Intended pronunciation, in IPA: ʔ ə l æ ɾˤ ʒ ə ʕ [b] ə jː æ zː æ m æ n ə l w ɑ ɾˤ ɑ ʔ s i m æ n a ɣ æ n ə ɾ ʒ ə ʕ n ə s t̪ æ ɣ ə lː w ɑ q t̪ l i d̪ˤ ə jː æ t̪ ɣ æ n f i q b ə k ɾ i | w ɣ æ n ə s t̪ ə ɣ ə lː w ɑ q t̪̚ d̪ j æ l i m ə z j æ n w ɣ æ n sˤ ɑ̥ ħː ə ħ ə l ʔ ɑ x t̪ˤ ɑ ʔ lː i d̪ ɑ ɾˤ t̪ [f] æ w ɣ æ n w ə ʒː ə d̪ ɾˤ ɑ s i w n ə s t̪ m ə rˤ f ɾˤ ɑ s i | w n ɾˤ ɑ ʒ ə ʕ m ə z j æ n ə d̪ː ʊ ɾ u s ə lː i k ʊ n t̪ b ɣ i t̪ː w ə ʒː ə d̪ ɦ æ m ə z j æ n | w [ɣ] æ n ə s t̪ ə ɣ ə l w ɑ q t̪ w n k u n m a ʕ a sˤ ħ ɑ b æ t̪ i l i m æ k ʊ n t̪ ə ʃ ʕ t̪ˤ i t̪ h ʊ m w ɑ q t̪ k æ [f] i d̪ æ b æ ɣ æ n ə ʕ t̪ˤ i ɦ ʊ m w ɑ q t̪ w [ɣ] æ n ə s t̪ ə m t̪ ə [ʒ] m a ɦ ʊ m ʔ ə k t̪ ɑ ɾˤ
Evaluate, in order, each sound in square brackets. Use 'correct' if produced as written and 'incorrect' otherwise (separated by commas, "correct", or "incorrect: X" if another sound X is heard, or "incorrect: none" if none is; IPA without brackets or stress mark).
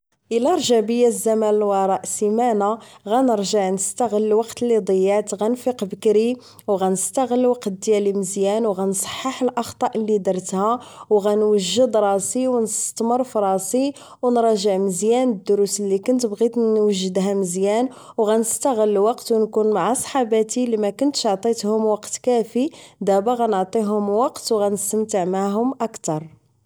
correct, incorrect: h, correct, correct, correct, incorrect: ʕ